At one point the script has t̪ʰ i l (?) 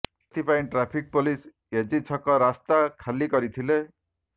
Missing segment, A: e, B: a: A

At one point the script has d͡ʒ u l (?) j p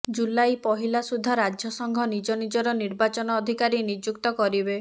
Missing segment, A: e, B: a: B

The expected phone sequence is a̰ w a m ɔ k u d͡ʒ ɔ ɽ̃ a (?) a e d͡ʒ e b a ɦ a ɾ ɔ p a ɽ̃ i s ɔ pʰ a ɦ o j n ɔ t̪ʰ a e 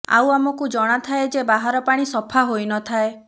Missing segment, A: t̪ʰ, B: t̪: A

